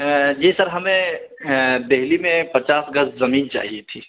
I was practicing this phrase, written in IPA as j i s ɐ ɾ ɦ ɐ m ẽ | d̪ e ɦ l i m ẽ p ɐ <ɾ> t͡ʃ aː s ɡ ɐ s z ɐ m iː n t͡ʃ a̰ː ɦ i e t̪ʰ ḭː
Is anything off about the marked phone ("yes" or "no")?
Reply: yes